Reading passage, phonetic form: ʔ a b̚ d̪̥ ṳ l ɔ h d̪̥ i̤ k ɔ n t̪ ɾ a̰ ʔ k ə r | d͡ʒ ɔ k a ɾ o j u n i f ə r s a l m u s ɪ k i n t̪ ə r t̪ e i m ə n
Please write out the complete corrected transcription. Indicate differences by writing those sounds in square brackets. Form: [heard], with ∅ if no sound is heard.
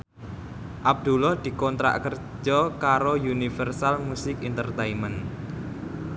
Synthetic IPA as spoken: ʔ a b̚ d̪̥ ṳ l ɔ h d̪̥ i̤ k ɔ n t̪ ɾ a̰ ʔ k ə r | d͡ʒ ɔ k a ɾ o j u n i f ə r s a l m u s ɪ k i n t̪ ə r t̪ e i m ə n